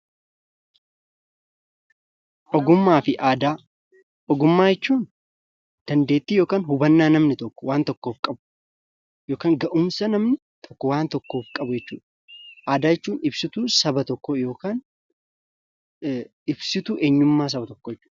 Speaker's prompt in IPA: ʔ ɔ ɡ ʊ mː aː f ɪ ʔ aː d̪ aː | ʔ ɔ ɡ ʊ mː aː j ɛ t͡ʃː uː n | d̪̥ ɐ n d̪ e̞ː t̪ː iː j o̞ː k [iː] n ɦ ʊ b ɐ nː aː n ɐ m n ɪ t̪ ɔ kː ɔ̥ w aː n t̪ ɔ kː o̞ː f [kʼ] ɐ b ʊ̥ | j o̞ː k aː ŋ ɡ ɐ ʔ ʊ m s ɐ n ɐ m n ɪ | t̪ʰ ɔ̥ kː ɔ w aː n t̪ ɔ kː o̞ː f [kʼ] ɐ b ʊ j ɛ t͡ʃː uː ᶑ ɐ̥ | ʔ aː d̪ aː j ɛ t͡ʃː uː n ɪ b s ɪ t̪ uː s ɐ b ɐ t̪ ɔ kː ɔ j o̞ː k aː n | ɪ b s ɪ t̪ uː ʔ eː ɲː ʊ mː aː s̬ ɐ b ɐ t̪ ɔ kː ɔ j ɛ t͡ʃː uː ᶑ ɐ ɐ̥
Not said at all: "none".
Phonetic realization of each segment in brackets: aː, kʼ, kʼ

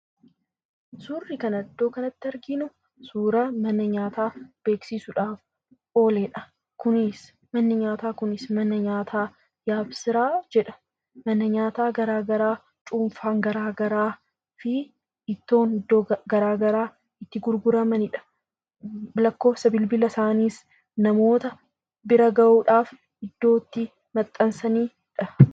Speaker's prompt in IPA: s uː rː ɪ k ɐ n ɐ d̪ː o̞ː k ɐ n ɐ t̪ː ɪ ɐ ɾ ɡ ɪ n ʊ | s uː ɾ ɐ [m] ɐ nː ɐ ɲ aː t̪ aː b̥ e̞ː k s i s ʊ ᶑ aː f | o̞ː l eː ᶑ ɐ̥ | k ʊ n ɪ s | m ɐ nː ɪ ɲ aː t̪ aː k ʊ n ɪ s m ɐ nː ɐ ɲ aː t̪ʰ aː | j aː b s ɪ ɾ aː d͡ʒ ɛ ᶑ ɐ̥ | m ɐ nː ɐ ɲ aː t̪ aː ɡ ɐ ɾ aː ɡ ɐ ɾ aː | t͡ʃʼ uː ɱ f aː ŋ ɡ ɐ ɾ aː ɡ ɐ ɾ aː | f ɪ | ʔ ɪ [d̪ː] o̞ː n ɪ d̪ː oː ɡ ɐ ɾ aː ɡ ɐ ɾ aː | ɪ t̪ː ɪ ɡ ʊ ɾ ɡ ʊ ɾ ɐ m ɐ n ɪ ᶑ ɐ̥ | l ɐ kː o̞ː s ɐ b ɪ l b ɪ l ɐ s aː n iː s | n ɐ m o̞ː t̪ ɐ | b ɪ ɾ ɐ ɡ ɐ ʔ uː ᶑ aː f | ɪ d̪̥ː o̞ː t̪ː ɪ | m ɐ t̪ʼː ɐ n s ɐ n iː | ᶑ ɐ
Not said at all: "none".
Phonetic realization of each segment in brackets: m, t̪ː

